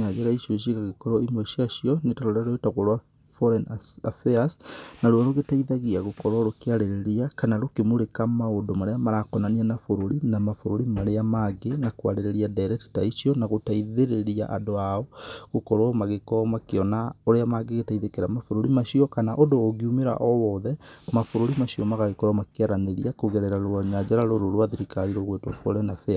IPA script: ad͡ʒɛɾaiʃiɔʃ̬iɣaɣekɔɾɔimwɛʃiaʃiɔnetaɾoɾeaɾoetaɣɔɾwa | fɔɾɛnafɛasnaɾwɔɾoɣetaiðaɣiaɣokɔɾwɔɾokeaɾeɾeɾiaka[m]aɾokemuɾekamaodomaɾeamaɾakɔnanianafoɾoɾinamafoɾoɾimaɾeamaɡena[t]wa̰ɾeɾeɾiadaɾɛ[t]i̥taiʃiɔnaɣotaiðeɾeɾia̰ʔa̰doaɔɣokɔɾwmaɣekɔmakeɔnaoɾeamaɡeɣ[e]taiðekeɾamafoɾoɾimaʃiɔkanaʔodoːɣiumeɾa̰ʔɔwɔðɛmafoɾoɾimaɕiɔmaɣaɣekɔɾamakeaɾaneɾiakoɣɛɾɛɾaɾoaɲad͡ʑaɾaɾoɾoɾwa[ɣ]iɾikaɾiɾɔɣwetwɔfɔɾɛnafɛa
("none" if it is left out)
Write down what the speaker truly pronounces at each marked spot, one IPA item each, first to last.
n, k, t, e, ð

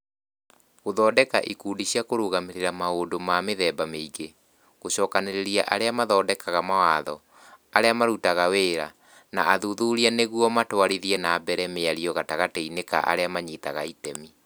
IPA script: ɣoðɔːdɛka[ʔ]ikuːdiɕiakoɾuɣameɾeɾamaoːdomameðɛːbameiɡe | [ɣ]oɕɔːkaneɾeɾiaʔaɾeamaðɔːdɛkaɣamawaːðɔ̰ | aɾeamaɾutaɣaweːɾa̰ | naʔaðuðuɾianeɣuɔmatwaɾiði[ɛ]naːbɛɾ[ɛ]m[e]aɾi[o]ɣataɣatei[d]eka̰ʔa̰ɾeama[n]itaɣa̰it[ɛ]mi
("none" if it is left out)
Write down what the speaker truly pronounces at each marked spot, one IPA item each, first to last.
ʔ, ɣ, ɛ, ɛ, e, ɔ, n, ɲ, ɛ

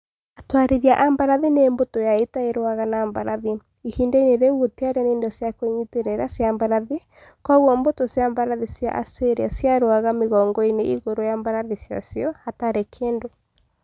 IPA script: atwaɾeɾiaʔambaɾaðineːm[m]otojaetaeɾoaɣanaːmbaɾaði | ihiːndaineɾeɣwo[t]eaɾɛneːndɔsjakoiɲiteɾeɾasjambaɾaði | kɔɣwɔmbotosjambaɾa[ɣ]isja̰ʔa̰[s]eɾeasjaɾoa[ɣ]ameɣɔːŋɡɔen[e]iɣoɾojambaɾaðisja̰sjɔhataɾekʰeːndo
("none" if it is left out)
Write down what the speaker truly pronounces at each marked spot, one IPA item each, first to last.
b, t, ð, s, ɣ, e

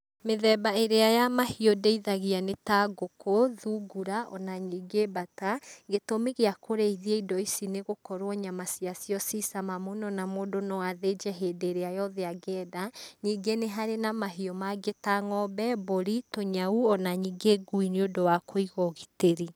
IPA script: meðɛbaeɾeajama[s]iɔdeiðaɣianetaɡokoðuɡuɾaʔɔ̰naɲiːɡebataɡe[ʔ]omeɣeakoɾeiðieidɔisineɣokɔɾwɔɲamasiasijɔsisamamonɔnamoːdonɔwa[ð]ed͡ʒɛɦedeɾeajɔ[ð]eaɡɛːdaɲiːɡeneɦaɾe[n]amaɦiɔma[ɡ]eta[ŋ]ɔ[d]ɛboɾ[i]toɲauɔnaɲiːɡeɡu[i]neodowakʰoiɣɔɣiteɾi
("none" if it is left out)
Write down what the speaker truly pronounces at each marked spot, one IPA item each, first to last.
h, t, ð, ð, n, ɡ, ŋ, b, i, i

